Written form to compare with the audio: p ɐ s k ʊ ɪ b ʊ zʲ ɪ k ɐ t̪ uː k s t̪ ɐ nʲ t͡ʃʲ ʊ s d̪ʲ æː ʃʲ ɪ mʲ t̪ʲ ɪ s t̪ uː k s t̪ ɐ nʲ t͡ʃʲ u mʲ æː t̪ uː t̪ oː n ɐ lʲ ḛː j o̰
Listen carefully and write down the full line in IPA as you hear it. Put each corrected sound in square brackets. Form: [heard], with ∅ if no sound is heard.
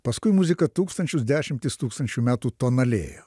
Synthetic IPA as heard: p ɐ s k ʊ ɪ [m] ʊ zʲ ɪ k ɐ t̪ uː k s t̪ ɐ nʲ t͡ʃʲ ʊ s d̪ʲ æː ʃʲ ɪ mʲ t̪ʲ ɪ s t̪ uː k s t̪ ɐ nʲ t͡ʃʲ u mʲ æː t̪ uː t̪ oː n ɐ lʲ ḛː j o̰

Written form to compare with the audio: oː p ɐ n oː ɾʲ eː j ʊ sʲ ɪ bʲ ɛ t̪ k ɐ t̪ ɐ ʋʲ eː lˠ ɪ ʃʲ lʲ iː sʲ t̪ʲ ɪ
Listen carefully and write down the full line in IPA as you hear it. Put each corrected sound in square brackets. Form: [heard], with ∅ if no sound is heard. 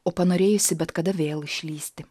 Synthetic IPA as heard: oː p ɐ n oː ɾʲ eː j ʊ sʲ ɪ bʲ ɛ t̪ k ɐ [d̪] ɐ ʋʲ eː lˠ ɪ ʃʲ lʲ iː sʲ t̪ʲ ɪ

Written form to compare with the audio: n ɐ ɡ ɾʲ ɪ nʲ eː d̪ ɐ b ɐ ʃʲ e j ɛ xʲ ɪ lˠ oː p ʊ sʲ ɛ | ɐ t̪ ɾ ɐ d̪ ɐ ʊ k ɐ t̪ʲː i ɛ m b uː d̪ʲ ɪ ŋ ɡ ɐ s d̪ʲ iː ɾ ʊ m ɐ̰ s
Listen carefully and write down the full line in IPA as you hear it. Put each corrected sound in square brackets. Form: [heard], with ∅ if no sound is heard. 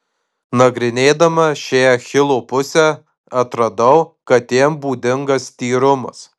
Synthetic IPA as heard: n ɐ ɡ ɾʲ ɪ nʲ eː d̪ ɐ [m] ɐ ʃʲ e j ɛ xʲ ɪ lˠ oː p ʊ sʲ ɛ | ɐ t̪ ɾ ɐ d̪ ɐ ʊ k ɐ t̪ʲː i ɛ m b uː d̪ʲ ɪ ŋ ɡ ɐ s [t̪ʲ] iː ɾ ʊ m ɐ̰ s

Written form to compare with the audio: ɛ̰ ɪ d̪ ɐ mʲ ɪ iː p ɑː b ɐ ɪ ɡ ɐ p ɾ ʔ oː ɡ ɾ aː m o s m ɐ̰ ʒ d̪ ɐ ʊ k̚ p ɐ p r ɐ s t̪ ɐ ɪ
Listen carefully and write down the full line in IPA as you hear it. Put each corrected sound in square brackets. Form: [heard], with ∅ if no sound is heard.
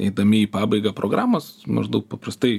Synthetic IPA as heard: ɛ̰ ɪ d̪ ɐ mʲ ɪ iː p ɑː b ɐ ɪ ɡ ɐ p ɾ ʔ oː ɡ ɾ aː m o s m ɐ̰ ʒ d̪ ɐ ʊ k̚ p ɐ p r ɐ s t̪ ɐ ɪ

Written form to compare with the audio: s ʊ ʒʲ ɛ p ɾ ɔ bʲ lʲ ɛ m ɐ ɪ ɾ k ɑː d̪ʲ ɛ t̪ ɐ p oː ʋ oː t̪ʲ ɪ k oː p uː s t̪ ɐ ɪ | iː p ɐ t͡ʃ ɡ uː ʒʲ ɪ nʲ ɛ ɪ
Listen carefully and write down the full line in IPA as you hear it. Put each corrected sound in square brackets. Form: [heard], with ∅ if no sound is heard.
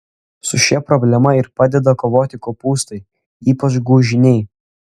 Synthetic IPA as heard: s ʊ [ʃʲ] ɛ p ɾ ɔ bʲ lʲ ɛ m ɐ ɪ ɾ [p] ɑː d̪ʲ ɛ [d̪] ɐ [k] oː ʋ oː t̪ʲ ɪ k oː p uː s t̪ ɐ ɪ | iː p ɐ t͡ʃ ɡ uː ʒʲ ɪ nʲ ɛ ɪ

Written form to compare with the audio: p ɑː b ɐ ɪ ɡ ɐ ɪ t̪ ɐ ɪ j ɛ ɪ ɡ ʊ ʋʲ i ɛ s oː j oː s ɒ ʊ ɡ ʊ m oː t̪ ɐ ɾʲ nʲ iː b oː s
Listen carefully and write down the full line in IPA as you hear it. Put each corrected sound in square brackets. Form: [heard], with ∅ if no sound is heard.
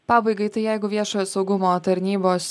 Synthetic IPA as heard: p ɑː b ɐ ɪ ɡ ɐ ɪ t̪ ɐ ɪ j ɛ ɪ ɡ ʊ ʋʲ i ɛ [ʃ] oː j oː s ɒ ʊ ɡ ʊ m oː t̪ ɐ ɾʲ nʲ iː b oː s

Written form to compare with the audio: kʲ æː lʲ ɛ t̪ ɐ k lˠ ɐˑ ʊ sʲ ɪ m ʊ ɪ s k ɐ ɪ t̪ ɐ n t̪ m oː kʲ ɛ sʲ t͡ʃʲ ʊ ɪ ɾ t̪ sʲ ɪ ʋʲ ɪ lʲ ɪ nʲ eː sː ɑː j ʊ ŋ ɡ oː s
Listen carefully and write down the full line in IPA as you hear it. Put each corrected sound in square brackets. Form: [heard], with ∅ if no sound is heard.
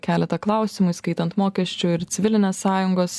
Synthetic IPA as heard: kʲ æː lʲ ɛ t̪ ɐ k lˠ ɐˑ ʊ sʲ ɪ m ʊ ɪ s k ɐ ɪ t̪ ɐ n t̪ m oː kʲ ɛ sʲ t͡ʃʲ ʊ ɪ ɾ t̪ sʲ ɪ ʋʲ ɪ lʲ ɪ nʲ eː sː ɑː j ʊ ŋ ɡ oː s

